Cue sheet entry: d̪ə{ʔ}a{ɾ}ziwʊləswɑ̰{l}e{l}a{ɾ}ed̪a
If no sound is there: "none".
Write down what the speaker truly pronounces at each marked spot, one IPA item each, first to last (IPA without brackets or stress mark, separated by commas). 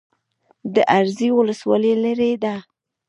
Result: ʔ, ɾ, l, l, ɾ